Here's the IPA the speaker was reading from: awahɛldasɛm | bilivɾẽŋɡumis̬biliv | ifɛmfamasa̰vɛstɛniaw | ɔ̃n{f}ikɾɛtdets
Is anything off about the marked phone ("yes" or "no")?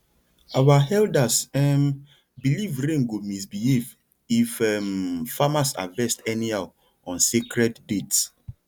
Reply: yes